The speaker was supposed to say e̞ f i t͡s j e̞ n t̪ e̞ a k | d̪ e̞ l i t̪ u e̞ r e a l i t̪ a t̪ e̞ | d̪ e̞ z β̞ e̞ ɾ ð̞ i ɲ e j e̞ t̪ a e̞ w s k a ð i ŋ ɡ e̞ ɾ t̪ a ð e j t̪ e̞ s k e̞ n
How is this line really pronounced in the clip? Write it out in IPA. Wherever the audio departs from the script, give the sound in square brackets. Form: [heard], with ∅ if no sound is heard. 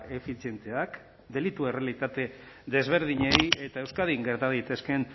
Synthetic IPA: e̞ f i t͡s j e̞ n t̪ e̞ a k | d̪ e̞ l i t̪ u e̞ r e a l i t̪ a t̪ e̞ | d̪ e̞ z β̞ e̞ ɾ ð̞ i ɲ e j e̞ t̪ a e̞ w s k a ð i ŋ ɡ e̞ ɾ t̪ a ð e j t̪ e̞ s k e̞ n